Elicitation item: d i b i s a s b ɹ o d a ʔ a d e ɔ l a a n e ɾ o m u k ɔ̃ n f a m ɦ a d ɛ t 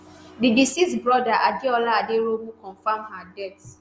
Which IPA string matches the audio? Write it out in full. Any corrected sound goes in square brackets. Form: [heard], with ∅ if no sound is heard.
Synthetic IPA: d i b i s [i] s b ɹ [ɔ] d a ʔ a d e ɔ l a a [d] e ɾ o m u k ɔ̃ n f a m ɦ a d ɛ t